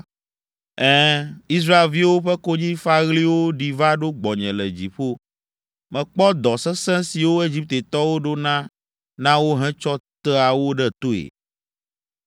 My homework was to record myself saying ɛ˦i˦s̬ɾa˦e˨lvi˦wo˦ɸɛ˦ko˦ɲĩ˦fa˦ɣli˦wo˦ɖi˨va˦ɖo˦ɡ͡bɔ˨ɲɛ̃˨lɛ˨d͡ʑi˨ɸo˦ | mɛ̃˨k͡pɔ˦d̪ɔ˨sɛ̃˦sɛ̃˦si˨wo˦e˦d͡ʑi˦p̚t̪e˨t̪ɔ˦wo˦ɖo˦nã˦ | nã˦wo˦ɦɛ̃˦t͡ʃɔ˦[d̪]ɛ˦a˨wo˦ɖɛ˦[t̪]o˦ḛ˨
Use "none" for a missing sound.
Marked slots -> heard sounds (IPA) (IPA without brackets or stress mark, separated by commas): t̪, t̪